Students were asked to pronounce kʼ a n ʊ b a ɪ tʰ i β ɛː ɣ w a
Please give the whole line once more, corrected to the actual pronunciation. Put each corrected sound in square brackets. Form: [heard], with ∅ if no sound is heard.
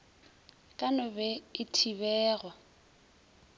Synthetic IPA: kʼ a n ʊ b [ɛ] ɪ tʰ i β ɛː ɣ w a